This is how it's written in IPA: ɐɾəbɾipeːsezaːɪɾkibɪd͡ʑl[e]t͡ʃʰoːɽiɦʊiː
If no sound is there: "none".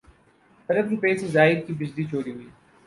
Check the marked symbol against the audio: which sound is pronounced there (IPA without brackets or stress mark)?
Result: i